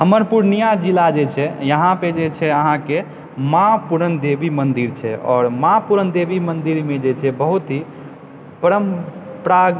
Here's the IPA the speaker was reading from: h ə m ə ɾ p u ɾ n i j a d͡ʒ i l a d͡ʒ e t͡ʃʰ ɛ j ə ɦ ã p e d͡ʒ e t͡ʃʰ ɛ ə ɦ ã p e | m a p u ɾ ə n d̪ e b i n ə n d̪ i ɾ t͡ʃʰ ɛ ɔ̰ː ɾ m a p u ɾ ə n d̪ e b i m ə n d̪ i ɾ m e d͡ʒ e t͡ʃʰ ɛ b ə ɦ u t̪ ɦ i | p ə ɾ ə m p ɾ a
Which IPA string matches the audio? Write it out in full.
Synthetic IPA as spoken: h ə m ə ɾ p u ɾ n i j a d͡ʒ i l a d͡ʒ e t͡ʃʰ ɛ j ə ɦ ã p e d͡ʒ e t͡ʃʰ ɛ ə ɦ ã k e | m a p u ɾ ə n d̪ e b i m ə n d̪ i ɾ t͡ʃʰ ɛ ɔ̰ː ɾ m a p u ɾ ə n d̪ e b i m ə n d̪ i ɾ m e d͡ʒ e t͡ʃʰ ɛ b ə ɦ u t̪ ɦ i | p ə ɾ ə m p ɾ a

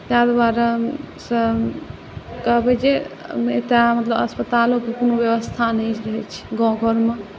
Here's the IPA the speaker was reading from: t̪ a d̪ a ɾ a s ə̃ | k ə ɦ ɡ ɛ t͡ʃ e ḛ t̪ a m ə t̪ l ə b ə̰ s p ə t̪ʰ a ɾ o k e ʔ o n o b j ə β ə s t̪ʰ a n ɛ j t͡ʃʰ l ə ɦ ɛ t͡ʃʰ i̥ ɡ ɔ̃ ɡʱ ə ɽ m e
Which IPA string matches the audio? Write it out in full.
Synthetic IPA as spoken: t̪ a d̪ a ɾ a s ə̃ | k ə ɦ b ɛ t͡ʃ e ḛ t̪ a m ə t̪ l ə b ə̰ s p ə t̪ a l o k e k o n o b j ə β ə s t̪ʰ a n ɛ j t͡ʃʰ ɾ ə ɦ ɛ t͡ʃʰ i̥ ɡ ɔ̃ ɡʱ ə ɾ m e

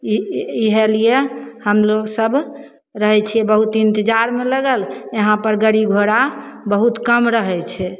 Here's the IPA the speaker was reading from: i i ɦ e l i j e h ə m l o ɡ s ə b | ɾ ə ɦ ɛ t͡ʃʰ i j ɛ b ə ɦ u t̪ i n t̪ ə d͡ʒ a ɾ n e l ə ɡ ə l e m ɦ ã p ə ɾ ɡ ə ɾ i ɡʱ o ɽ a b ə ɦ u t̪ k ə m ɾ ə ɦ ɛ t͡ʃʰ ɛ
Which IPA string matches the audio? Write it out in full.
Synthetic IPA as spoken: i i ɦ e l i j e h ə m l o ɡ s ə b | ɾ ə ɦ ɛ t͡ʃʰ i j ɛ b ə ɦ u t̪ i n t̪ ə d͡ʒ a ɾ m e l ə ɡ ə l e ɦ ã p ə ɾ ɡ ə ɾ i ɡʱ o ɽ a b ə ɦ u t̪ k ə m ɾ ə ɦ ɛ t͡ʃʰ ɛ

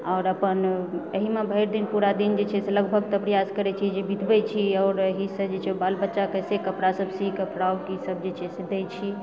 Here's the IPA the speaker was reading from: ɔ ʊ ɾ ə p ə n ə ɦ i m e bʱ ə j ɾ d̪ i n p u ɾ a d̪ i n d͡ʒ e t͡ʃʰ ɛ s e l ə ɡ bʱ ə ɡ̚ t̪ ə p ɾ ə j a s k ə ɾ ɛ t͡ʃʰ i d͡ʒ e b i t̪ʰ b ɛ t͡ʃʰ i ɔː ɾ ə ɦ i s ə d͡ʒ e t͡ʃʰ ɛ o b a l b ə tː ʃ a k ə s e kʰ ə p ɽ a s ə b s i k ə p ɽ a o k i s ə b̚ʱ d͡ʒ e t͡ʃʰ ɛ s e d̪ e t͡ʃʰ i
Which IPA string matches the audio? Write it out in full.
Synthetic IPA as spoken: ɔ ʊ ɾ ə p ə n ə ɦ i m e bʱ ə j ɾ d̪ i n p u ɾ a d̪ i n d͡ʒ e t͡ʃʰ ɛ s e l ə ɡ bʱ ə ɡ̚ t̪ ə p ɾ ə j a s k ə ɾ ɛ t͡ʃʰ i d͡ʒ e b i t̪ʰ b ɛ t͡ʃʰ i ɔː ɾ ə ɦ i s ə d͡ʒ e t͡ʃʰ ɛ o b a l b ə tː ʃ a k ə s e k ə p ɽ a s ə b s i k ə p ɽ a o k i s ə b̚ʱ d͡ʒ e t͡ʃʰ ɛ s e d̪ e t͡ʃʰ i

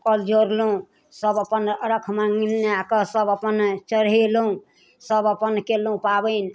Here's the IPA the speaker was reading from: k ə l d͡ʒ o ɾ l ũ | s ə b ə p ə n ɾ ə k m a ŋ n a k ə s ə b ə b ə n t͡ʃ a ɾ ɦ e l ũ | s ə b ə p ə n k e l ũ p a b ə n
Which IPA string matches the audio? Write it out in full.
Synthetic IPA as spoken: k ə l d͡ʒ o ɾ l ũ | s ə b ə p ə n ɾ ə kʰ m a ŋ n a k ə s ə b ə p ə n t͡ʃ ə ɾ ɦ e l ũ | s ə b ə p ə n k e l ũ p a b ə n

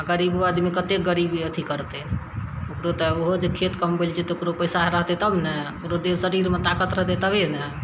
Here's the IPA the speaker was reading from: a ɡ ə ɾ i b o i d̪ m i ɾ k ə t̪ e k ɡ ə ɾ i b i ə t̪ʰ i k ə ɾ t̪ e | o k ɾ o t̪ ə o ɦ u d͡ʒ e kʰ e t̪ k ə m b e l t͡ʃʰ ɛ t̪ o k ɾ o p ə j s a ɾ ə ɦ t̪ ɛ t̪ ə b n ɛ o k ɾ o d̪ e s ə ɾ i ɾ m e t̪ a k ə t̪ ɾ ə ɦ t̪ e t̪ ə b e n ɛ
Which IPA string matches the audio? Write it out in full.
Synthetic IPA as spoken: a ɡ ə ɾ i b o a d̪ m i k ə t̪ e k ɡ ə ɾ i b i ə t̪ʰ i k ə ɾ t̪ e | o k ɾ o t̪ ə o ɦ o d͡ʒ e kʰ e t̪ k ə m b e l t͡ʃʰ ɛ t̪ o k ɾ o p ə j s a ɾ ə ɦ t̪ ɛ t̪ ə b n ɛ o k ɾ o d̪ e s ə ɾ i ɾ m e t̪ a k ə t̪ ɾ ə ɦ t̪ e t̪ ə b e n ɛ

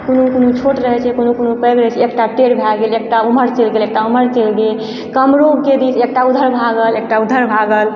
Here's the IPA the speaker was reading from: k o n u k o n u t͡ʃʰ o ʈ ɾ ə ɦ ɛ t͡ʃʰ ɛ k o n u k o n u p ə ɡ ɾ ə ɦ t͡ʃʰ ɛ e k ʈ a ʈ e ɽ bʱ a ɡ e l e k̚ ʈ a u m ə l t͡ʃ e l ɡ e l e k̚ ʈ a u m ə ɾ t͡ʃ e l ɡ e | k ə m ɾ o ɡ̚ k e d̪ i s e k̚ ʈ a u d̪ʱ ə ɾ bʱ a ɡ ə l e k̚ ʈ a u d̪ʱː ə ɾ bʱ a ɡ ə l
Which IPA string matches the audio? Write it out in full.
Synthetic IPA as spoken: k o n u k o n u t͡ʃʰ o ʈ ɾ ə ɦ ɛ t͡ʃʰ ɛ k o n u k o n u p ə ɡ ɾ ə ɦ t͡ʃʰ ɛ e k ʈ a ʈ e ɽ bʱ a ɡ e l e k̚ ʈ a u m ə ɾ t͡ʃ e l ɡ e l e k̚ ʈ a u m ə ɾ t͡ʃ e l ɡ e | k ə m ɾ o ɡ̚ k e d̪ i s e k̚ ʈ a u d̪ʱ ə ɾ bʱ a ɡ ə l e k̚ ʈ a u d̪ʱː ə ɾ bʱ a ɡ ə l

